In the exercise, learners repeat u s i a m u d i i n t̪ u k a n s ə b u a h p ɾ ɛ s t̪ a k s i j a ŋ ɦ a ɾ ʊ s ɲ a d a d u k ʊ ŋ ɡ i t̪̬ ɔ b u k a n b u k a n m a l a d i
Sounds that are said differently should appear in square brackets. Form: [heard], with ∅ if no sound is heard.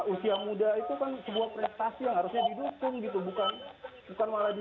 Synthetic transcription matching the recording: u s i a m u d [a] i [∅] t̪ u k a n s ə b u a h p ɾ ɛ s t̪ a [∅] s i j a ŋ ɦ a ɾ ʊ s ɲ a d [i] d u k ʊ ŋ ɡ i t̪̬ [u] b u k a n b u k a n m a l a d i